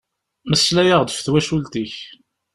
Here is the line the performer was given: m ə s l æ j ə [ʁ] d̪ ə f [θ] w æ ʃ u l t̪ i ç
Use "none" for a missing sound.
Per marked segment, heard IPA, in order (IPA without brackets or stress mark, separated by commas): ʁ, θ